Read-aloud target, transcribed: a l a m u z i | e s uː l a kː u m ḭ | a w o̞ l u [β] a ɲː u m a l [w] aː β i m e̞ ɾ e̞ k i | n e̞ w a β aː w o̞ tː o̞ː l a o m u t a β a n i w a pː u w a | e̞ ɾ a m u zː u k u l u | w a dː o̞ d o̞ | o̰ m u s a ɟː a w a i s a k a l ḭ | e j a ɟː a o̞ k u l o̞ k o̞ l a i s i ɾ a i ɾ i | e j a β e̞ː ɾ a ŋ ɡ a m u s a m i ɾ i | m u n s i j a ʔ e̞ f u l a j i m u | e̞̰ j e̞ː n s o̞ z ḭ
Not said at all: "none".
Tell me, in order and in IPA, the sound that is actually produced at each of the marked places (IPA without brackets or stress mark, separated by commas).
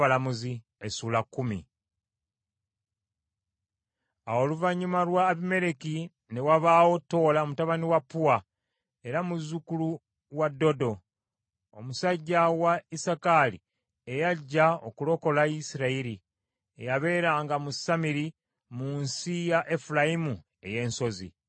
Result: v, w